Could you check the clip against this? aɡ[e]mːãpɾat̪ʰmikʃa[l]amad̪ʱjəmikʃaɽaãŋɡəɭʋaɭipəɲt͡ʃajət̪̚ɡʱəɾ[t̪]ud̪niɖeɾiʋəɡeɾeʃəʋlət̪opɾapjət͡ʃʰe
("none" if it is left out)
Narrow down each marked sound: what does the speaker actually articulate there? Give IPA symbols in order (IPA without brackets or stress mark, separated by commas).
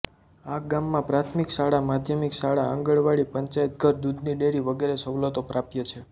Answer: a, ɽ, d̪